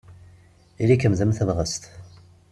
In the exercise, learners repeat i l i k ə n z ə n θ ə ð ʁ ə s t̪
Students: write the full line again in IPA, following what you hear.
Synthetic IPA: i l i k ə m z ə m θ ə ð ʁ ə s t̪